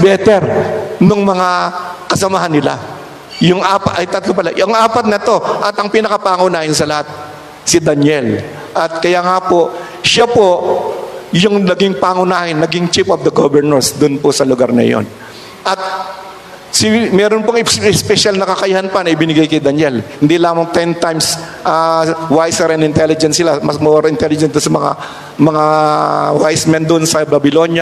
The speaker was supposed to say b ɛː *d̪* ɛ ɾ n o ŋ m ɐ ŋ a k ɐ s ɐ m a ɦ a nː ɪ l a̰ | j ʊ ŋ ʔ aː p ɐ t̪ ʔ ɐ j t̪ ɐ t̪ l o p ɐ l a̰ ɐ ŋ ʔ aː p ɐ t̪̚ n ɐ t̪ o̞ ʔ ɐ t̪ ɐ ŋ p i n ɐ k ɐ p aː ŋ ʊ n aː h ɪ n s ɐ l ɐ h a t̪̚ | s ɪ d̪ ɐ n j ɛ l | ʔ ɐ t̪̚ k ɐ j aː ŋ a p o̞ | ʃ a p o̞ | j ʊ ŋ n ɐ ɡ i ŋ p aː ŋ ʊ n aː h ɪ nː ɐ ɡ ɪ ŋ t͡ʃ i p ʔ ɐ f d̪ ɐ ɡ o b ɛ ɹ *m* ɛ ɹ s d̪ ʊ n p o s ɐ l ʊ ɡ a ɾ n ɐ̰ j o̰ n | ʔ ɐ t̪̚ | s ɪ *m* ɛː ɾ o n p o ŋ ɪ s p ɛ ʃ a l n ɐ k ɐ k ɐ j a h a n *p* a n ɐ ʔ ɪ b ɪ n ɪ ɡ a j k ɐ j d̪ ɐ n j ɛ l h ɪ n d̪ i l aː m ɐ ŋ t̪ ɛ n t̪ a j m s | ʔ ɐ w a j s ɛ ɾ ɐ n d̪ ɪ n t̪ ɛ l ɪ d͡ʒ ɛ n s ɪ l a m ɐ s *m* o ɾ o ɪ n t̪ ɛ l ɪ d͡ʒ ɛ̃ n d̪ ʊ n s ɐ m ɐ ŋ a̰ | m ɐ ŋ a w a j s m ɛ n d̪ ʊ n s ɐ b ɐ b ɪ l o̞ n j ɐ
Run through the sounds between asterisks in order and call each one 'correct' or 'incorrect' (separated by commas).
incorrect, incorrect, correct, correct, correct